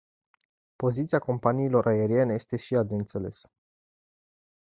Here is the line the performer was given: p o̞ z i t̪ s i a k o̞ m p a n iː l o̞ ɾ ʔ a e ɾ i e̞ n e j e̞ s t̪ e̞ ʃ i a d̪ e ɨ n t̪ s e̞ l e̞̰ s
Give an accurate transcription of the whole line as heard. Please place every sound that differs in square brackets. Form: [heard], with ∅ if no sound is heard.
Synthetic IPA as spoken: p o̞ z i t̪ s i a k o̞ m p a n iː l o̞ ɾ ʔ a e ɾ i e̞ n e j e̞ s t̪ e̞ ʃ i a d̪ e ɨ n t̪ s e̞ l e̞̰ s